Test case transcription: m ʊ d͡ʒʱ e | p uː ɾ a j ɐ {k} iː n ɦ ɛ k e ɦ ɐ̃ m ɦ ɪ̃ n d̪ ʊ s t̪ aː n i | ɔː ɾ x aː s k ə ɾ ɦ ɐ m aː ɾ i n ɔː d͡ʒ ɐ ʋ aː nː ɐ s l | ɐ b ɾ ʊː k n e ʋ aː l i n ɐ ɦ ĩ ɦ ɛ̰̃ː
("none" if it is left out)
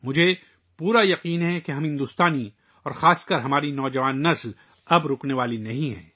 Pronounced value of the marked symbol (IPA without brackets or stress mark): q